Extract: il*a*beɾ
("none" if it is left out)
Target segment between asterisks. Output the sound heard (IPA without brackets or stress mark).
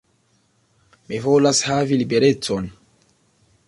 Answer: i